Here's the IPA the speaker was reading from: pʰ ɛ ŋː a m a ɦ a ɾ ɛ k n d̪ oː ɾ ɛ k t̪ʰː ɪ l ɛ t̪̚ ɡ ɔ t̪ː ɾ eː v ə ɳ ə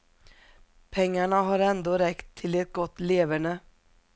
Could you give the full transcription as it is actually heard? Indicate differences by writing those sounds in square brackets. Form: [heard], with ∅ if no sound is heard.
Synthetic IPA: pʰ ɛ ŋː a [ɳ] a ɦ a ɾ ɛ [∅] n d̪ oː ɾ ɛ k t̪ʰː ɪ l ɛ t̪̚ ɡ ɔ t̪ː [l] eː v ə ɳ ə